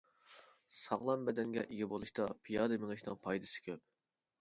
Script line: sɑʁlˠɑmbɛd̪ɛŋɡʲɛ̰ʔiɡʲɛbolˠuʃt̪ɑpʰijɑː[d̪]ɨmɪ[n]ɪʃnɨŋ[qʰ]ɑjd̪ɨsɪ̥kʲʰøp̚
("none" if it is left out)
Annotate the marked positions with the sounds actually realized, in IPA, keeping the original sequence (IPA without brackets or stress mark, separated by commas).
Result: d̪, ŋ, pʰ